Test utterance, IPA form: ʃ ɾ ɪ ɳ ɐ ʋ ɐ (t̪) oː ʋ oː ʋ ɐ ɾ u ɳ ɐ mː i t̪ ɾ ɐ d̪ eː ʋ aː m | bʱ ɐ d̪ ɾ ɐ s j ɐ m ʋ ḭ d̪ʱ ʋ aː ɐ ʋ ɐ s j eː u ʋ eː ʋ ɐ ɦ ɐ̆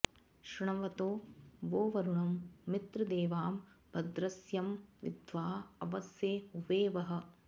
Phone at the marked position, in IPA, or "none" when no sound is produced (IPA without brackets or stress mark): t̪